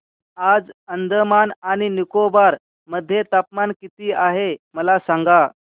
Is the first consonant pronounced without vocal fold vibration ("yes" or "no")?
no